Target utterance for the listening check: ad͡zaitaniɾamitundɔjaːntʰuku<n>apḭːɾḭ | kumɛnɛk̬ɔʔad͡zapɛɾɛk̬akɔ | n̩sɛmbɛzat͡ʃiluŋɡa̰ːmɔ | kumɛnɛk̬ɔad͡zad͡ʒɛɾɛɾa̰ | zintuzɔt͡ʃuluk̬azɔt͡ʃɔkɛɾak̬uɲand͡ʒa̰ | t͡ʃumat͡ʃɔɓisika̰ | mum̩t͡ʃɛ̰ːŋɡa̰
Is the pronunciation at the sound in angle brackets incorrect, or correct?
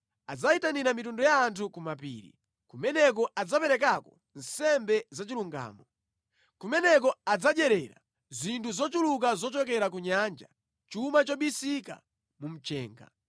incorrect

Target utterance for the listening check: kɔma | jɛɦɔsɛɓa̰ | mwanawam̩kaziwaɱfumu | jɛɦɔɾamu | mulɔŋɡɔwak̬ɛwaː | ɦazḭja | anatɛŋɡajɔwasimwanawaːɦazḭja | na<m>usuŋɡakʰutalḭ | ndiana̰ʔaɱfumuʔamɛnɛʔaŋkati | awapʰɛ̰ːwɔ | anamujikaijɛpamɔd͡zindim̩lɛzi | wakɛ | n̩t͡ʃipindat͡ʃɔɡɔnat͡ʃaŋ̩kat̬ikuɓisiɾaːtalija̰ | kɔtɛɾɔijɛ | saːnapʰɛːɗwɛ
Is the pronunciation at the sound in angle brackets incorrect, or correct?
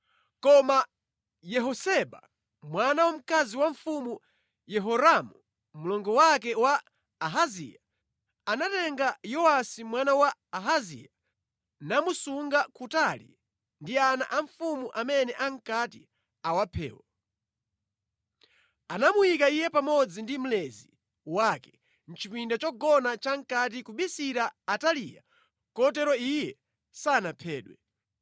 correct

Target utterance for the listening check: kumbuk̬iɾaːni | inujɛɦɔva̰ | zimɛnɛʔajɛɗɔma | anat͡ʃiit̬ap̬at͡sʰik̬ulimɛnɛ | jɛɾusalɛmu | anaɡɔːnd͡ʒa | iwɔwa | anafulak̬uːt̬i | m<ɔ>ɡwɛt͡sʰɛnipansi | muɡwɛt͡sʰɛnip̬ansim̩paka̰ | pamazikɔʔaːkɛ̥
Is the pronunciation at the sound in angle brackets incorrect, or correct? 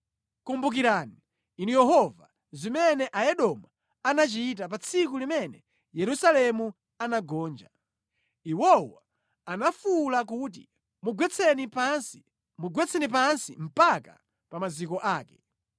incorrect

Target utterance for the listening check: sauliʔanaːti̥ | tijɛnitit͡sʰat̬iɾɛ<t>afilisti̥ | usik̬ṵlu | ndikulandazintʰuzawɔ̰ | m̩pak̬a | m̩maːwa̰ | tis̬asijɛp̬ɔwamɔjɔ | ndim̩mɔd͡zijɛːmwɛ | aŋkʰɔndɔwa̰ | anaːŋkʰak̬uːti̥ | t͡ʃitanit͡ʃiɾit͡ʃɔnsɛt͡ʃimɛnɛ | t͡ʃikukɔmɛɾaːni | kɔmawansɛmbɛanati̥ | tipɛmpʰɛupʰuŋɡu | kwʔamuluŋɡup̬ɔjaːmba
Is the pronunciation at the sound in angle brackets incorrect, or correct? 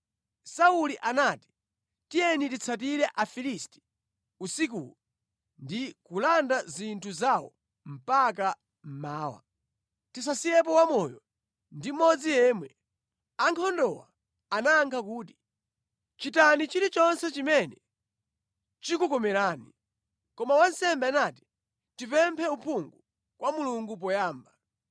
incorrect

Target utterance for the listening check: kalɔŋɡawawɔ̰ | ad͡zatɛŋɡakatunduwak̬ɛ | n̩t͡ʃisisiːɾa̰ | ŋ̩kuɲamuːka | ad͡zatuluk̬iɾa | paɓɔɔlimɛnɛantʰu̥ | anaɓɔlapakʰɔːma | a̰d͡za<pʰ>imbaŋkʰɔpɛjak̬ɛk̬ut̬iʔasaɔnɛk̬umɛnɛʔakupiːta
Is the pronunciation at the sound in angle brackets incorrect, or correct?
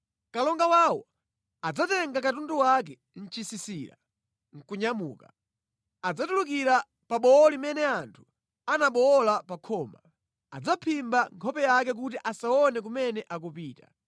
correct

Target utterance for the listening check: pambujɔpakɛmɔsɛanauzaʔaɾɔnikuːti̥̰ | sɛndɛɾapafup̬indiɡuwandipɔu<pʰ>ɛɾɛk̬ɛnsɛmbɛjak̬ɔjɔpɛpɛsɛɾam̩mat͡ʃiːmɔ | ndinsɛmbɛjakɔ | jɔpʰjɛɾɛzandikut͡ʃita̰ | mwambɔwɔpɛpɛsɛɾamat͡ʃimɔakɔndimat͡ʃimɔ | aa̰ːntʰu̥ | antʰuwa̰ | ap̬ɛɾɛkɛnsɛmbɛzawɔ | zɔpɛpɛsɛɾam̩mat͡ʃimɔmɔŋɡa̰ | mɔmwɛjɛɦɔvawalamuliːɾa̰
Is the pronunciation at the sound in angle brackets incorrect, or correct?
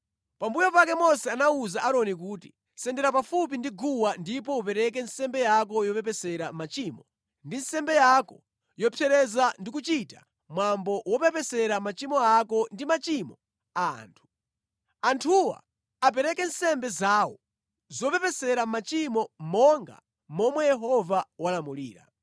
incorrect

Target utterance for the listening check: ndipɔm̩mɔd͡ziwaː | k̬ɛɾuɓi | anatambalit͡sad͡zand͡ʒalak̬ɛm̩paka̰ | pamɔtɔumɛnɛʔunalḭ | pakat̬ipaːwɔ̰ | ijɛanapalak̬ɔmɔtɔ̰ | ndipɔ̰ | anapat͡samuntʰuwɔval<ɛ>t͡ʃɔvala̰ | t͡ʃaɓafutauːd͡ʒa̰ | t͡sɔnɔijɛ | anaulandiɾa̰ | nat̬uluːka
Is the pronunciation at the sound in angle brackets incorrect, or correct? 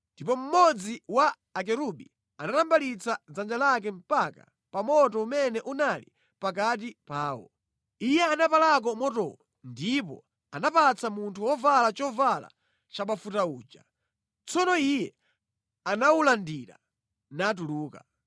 incorrect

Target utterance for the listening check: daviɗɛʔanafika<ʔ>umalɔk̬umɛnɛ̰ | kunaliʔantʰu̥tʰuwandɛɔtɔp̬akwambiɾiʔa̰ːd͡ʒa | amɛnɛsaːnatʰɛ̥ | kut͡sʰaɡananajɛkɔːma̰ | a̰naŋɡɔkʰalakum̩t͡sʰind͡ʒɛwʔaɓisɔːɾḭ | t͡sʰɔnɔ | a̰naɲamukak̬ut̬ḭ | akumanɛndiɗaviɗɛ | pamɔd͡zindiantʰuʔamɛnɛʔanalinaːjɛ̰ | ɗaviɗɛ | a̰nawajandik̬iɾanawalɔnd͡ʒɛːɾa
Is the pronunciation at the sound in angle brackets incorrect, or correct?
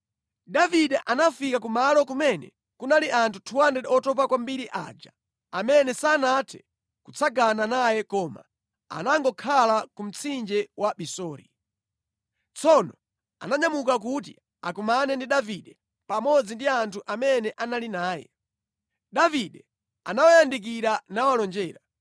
incorrect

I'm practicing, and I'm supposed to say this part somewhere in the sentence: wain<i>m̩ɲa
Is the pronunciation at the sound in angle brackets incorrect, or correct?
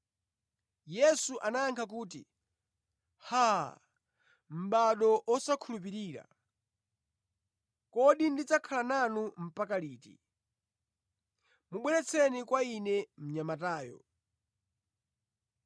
incorrect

